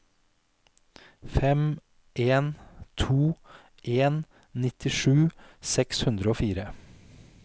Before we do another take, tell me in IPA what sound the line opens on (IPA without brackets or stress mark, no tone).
f